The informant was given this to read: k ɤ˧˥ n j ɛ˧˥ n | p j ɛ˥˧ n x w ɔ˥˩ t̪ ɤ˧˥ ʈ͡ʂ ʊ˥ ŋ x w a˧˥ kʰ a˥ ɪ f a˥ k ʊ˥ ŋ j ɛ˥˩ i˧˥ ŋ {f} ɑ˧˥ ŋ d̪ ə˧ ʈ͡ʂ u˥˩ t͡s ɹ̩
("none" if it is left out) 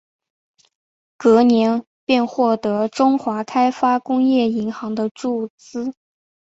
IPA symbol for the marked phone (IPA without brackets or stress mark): x